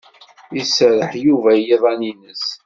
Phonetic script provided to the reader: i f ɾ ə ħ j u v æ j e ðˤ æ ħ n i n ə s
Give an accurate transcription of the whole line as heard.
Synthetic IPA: i s ɾ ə ħ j u v æ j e ðˤ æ n i n ə s

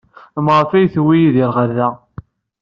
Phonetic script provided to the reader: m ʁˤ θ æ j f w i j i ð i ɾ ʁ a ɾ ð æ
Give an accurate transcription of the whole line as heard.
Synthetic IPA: m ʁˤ f æ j θ w i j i ð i ɾ ʁ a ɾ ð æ

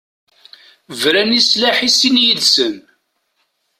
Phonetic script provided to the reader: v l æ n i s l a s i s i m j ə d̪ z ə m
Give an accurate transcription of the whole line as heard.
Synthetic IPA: v ɾ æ n i s l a ħ i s i n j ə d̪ s ə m

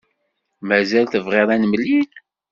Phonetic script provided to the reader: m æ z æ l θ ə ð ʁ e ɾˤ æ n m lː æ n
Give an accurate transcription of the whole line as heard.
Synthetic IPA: m æ z æ l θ ə v ʁ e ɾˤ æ n m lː i n

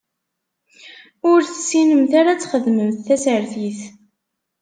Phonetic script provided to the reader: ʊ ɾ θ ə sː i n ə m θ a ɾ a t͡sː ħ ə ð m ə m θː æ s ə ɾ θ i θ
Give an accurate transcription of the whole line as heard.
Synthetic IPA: ʊ ɾ θ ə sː i n ə m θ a ɾ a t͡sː χ ə ð m ə m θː æ s ə ɾ θ i θ

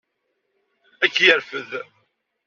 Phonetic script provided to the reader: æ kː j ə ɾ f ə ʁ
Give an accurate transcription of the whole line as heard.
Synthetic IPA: æ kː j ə ɾ f ə ð

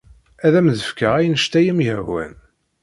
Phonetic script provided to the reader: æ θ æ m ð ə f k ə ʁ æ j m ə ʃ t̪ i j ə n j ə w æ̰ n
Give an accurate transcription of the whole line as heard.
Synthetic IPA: æ ð æ m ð ə f k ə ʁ æ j n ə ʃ t̪ æ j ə m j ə w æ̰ n

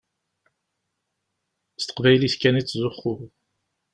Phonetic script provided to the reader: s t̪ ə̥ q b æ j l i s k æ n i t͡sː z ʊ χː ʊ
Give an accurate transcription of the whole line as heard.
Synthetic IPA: s t̪ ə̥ q v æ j l i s k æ n i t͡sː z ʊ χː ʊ

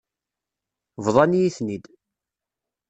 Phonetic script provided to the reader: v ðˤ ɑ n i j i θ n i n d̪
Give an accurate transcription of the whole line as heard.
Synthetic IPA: v ðˤ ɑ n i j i θ n i d̪

